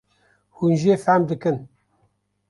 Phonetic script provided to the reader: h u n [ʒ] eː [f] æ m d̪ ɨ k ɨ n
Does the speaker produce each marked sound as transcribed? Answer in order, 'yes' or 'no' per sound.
yes, yes

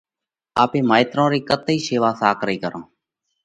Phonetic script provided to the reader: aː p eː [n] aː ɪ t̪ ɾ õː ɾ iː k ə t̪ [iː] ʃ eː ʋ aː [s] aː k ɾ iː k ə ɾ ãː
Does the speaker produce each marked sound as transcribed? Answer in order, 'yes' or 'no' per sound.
no, yes, yes

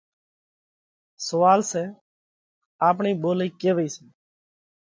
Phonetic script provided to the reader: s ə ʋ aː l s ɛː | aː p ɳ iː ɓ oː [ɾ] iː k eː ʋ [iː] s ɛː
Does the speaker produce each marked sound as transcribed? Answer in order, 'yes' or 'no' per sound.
no, yes

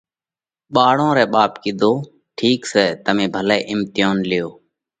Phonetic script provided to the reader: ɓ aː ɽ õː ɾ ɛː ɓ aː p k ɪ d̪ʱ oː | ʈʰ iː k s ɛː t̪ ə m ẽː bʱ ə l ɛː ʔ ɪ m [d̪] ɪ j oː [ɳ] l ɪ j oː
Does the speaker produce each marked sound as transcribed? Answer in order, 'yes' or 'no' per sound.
no, no

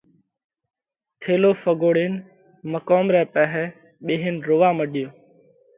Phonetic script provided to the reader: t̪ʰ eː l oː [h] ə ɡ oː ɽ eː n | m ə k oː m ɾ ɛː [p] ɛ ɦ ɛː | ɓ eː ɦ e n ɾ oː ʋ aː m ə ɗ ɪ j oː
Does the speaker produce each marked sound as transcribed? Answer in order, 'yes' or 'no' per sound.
no, yes

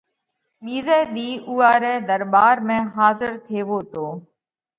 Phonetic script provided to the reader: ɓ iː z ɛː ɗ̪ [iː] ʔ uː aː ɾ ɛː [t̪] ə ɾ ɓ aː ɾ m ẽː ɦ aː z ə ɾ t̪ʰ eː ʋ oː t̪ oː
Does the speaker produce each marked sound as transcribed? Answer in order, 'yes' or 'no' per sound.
yes, no

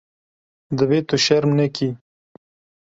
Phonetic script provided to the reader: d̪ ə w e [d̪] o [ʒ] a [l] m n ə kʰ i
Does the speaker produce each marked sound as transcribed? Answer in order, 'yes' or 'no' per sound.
no, no, no

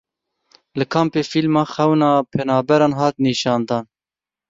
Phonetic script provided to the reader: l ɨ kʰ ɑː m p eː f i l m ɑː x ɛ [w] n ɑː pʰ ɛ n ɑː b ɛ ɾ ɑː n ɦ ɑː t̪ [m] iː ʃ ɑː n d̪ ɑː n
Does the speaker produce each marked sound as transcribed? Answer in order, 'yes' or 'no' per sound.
yes, no

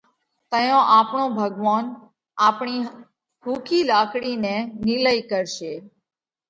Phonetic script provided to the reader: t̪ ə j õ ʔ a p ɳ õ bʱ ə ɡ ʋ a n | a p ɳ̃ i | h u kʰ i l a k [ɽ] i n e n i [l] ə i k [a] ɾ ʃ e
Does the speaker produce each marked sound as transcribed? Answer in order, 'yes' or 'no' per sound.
yes, yes, no

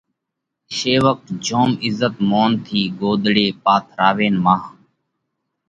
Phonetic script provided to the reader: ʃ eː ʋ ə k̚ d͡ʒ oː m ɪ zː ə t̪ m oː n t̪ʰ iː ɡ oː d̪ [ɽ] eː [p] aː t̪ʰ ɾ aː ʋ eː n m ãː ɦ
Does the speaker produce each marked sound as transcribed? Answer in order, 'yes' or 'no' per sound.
yes, yes

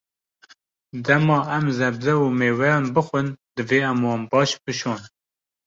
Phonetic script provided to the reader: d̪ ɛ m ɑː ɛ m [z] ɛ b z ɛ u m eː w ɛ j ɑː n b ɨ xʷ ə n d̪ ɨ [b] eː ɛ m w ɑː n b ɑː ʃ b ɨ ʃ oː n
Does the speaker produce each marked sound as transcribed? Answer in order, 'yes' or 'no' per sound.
yes, no

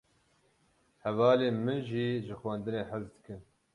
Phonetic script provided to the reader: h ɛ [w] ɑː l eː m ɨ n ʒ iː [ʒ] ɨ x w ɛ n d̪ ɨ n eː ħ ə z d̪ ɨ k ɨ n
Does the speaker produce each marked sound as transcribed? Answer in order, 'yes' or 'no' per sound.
no, yes

